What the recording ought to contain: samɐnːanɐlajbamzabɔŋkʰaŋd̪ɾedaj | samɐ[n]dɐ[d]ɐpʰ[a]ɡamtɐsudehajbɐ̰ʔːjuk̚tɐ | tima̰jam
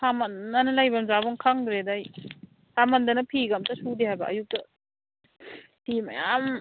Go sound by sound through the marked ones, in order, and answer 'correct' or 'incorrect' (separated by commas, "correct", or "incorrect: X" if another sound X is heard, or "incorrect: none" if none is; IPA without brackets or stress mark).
correct, incorrect: n, incorrect: i